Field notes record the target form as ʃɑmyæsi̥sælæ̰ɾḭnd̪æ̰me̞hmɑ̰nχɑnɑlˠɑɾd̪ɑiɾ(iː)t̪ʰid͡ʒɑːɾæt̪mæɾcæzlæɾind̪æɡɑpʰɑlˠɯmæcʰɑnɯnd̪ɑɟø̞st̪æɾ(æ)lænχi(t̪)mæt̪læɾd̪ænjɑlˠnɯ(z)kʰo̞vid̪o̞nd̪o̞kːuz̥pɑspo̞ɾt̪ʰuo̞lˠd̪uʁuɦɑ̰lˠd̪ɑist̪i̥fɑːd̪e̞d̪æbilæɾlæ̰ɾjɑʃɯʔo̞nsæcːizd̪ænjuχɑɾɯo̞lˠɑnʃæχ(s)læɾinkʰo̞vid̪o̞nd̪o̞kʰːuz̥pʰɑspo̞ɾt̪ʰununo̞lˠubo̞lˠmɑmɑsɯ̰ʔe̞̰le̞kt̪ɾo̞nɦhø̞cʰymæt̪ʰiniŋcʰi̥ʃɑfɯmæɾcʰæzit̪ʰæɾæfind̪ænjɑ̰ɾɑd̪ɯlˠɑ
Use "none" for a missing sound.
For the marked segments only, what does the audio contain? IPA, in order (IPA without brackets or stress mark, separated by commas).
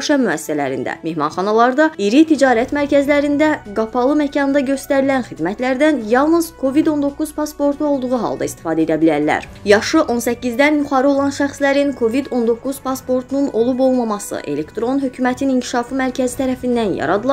i, i, d̪, z, s